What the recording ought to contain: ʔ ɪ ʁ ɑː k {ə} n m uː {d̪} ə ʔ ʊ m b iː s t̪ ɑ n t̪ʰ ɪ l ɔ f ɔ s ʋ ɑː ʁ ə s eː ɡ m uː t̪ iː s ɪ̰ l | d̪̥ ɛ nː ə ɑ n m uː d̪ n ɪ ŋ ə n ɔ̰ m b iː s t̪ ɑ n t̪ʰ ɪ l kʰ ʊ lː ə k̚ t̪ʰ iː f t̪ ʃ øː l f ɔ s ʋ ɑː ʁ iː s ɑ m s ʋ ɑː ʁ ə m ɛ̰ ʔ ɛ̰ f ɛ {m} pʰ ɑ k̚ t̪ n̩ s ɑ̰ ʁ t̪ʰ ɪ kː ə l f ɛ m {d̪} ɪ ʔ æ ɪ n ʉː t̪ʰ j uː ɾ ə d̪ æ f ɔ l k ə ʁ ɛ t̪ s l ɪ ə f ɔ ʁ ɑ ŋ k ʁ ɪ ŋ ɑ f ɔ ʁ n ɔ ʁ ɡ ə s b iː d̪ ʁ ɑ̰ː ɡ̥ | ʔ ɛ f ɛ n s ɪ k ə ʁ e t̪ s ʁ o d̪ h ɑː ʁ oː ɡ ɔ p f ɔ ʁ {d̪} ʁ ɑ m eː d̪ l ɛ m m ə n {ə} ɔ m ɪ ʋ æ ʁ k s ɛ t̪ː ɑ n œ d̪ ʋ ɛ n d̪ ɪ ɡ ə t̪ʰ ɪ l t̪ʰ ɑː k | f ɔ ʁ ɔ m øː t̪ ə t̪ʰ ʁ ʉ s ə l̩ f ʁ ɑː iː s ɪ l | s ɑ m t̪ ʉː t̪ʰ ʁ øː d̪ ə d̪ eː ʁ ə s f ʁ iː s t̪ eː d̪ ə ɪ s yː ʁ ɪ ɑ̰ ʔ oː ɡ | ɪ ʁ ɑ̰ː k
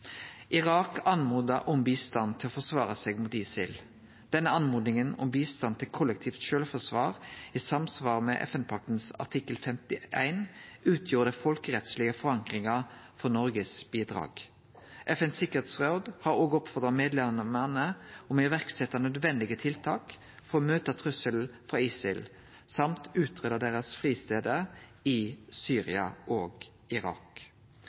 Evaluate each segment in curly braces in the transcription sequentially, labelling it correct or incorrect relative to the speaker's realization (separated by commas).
incorrect, correct, incorrect, incorrect, correct, correct